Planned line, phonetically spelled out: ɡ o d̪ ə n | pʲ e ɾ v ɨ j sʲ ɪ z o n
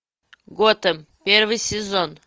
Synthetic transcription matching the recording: ɡ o t̪ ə m | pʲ e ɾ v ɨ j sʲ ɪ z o n